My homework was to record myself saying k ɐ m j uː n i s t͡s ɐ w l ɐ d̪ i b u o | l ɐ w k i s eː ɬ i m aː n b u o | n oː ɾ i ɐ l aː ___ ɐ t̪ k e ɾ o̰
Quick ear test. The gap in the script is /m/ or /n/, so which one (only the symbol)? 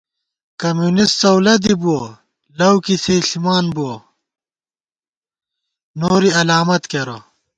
m